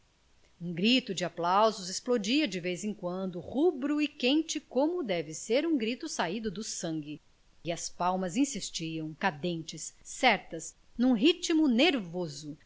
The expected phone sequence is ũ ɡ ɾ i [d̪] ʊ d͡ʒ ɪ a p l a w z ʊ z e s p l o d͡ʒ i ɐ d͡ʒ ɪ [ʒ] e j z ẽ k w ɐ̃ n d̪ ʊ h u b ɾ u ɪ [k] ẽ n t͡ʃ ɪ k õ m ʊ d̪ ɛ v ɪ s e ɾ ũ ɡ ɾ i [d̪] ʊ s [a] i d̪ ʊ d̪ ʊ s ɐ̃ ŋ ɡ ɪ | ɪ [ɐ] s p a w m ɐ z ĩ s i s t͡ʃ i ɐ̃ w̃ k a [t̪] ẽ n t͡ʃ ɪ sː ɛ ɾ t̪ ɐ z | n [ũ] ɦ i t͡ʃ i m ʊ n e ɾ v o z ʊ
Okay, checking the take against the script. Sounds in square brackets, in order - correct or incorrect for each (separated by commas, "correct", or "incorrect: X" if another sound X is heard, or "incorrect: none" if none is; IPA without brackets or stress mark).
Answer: incorrect: t̪, incorrect: v, correct, incorrect: t̪, correct, correct, incorrect: d̪, correct